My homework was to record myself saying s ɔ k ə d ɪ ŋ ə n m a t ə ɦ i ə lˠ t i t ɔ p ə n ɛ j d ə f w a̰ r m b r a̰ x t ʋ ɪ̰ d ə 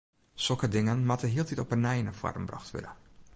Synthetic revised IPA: s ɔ k ə d ɪ ŋ ə n m a t ə ɦ i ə lˠ t i t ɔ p ə n ɛ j n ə f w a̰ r m b r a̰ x t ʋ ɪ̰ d ə